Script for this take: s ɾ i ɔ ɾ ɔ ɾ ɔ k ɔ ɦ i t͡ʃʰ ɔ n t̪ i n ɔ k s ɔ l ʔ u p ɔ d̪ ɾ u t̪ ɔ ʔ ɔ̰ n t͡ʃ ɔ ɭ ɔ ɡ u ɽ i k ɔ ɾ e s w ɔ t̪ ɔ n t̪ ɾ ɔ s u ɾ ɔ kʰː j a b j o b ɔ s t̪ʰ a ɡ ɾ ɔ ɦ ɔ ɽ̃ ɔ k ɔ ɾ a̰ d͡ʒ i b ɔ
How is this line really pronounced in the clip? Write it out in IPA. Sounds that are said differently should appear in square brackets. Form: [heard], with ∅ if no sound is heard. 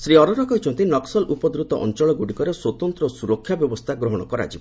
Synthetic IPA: s ɾ i ɔ ɾ ɔ ɾ ɔ k ɔ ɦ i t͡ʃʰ ɔ n t̪ i n ɔ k s ɔ l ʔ u p ɔ d̪ ɾ u t̪ ɔ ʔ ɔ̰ n t͡ʃ ɔ ɭ ɔ ɡ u ɽ i k ɔ ɾ e s w ɔ t̪ ɔ n t̪ ɾ ɔ s u ɾ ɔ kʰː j a b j [ɔ] b ɔ s t̪ʰ a ɡ ɾ ɔ ɦ ɔ ɽ̃ ɔ k ɔ ɾ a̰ d͡ʒ i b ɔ